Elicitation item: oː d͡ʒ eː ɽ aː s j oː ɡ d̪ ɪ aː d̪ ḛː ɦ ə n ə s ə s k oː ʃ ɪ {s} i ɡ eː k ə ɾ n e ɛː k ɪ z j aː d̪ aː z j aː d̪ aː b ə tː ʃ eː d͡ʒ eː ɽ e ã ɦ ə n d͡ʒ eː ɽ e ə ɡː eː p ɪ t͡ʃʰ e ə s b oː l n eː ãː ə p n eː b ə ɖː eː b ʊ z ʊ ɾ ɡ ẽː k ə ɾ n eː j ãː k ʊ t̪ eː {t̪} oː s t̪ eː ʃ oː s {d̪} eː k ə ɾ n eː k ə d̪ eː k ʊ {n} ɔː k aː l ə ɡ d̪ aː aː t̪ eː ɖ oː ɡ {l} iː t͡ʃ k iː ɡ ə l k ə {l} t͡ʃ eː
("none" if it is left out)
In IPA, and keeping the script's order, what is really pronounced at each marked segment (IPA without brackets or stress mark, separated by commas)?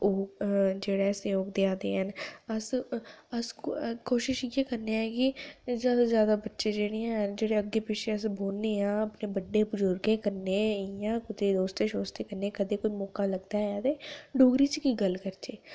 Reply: ʃ, d̪, t̪, m, ɾ, ɾ